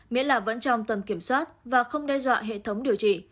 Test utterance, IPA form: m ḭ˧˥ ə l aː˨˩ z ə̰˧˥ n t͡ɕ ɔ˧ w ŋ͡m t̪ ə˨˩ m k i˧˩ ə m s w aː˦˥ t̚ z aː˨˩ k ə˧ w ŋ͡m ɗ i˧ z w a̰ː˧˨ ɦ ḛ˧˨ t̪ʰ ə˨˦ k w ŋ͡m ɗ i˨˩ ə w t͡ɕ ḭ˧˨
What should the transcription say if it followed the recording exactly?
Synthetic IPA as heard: m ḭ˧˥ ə l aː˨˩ v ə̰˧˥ n t͡ɕ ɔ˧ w ŋ͡m t̪ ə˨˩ m k i˧˩ ə m s w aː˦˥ t̚ v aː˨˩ x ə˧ w ŋ͡m ɗ ɛ˧ z w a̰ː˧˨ ɦ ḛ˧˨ t̪ʰ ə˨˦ w ŋ͡m ɗ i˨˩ ə w t͡ɕ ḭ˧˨